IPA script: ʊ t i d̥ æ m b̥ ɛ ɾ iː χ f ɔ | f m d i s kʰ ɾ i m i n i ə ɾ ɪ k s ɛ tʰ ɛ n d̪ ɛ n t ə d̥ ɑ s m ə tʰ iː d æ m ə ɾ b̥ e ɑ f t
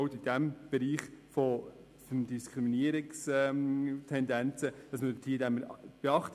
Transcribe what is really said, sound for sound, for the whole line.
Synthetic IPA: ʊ t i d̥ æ m b̥ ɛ ɾ iː χ f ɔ | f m d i s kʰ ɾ i m i n i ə ɾ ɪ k s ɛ tʰ ɛ n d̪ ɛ n t͡s ə d̥ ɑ s m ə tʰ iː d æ m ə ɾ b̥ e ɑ χ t

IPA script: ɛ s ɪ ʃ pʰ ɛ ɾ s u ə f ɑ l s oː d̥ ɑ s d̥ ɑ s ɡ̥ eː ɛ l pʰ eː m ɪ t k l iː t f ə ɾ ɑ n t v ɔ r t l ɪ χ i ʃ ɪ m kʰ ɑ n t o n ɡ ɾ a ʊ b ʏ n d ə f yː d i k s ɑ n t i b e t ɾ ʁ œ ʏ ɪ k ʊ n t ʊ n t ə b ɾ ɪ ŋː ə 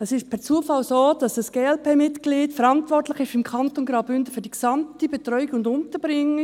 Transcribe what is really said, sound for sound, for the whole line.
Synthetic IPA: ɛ s ɪ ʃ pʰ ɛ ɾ t͡s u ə f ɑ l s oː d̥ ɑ s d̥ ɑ s ɡ̥ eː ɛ l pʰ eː m ɪ t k l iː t f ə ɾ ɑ n t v ɔ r t l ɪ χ ɪ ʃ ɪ m kʰ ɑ n t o n ɡ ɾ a ʊ b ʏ n d ə f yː d i k s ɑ m t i b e t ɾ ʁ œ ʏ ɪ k ʊ n d ʊ n t ə b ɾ ɪ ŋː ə

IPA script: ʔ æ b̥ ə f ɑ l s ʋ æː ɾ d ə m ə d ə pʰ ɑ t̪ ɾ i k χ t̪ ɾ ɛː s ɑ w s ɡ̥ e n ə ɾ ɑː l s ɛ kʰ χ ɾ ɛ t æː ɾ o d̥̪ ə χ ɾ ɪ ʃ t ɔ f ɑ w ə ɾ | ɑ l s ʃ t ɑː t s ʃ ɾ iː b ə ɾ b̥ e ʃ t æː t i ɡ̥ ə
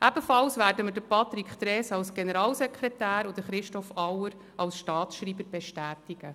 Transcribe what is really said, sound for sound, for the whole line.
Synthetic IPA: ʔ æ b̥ ə f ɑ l s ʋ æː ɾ d ə m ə d ə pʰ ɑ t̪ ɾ i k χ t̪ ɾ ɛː s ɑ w s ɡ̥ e n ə ɾ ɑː l s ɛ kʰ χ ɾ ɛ t æː ɾ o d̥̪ ə χ ɾ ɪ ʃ t ɔ f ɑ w ə ɾ | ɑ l s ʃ t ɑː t s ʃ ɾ iː b ə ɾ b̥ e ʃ t æː t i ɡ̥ ə

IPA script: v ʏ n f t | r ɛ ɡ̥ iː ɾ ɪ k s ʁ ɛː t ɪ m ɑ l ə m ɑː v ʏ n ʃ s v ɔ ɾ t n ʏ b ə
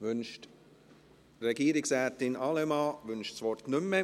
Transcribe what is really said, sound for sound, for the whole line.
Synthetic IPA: v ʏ n ʃ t | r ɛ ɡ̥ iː ɾ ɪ k s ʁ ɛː t ɪ n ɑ l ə m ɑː v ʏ n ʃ s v ɔ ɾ t n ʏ m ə

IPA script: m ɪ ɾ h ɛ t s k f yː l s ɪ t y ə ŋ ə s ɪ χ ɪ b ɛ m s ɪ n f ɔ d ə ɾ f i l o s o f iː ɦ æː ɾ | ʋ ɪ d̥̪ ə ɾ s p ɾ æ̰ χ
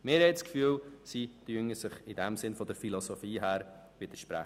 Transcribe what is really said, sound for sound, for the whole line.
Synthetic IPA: m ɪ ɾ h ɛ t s k f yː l s i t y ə ŋ ə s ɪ χ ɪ d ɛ m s ɪ n f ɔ d ə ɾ f i l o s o f iː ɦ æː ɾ | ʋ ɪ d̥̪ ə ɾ ʃ p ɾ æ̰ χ

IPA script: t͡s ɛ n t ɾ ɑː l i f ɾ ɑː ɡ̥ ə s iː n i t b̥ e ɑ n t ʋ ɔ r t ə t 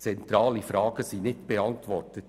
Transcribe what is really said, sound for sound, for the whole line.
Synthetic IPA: t͡s ɛ n t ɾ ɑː l i f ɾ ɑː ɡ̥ ə s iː n ɪ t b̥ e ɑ n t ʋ ɔ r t ə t

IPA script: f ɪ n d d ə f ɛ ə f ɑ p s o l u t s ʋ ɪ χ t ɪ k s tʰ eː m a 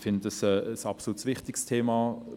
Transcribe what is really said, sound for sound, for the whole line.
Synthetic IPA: f ɪ n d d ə s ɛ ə s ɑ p s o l u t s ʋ ɪ χ t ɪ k s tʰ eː m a

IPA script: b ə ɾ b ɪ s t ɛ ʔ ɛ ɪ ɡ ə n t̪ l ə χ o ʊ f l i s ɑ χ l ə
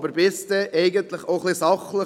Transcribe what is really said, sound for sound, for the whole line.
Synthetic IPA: b ə ɾ b ɪ s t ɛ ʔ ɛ ɪ ɡ ə n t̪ l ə χ o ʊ χ l i s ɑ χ l ə

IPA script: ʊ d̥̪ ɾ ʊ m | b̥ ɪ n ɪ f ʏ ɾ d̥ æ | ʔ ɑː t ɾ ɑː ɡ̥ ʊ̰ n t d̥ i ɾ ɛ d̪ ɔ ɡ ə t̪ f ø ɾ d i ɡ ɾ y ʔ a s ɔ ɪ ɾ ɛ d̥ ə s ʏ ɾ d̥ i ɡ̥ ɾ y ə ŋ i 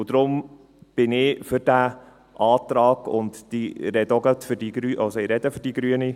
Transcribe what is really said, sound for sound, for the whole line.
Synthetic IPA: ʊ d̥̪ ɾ ʊ m | b̥ ɪ n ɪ f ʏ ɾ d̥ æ | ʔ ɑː t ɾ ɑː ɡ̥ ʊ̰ n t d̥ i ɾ ɛ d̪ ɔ ɡ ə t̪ f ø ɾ d i ɡ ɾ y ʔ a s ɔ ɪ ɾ ɛ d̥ ə f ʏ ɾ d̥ i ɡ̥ ɾ y ə n i

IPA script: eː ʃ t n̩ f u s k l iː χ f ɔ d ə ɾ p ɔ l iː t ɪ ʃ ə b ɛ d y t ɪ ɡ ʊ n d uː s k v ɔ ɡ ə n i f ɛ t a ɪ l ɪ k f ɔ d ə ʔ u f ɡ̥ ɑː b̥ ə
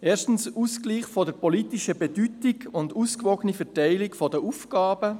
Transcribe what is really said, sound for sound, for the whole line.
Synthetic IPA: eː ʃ t n̩ s u s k l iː χ f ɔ d ə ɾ p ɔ l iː t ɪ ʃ ə b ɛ d y t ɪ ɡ ʊ n d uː s k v ɔ ɡ ə n i f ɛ t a ɪ l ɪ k f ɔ d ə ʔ u f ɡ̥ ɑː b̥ ə

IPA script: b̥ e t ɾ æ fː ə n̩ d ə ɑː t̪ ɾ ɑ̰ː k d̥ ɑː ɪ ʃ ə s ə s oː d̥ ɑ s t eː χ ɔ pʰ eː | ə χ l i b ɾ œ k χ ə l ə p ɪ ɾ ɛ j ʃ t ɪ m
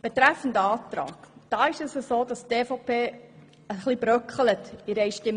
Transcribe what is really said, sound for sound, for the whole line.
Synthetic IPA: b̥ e t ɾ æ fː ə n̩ d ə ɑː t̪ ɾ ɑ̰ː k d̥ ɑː ɪ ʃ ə s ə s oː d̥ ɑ s t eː f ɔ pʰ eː | ə χ l i b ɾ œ k χ ə l ə t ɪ ɾ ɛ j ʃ t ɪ m

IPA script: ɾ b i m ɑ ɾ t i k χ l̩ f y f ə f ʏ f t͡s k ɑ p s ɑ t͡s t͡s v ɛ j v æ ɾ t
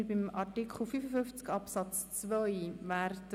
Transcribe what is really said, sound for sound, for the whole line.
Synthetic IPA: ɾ b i m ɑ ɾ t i k χ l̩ f y f ə f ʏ f t͡s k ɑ p s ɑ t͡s t͡s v œ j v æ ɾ t

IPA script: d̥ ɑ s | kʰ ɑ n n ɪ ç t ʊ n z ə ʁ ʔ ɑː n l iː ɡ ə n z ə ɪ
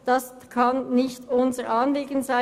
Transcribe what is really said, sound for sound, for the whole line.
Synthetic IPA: d̥ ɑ s | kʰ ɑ n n ɪ ç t ʊ n z ə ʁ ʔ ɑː n l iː ɡ ə n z a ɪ

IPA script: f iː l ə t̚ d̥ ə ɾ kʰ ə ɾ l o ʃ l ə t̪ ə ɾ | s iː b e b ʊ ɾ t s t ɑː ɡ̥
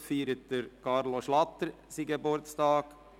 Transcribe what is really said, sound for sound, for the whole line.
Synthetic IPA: f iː ɾ ə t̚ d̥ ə ɾ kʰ ɑ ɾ l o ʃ l ɑ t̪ ə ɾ | s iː ɡ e b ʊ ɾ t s t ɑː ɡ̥

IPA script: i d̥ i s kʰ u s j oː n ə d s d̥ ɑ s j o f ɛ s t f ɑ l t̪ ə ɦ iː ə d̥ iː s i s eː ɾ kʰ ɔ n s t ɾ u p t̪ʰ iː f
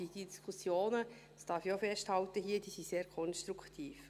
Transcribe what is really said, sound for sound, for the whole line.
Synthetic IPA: i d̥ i s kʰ u s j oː n ə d s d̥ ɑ f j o f ɛ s t h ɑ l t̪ ə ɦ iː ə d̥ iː s i s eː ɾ kʰ ɔ n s t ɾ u k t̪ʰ iː f

